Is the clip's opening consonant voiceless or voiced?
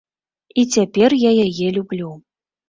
voiceless